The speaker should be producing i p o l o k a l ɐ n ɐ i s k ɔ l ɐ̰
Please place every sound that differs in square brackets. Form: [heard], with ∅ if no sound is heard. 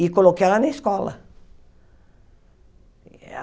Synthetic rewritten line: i [k] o l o k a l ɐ n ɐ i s k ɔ l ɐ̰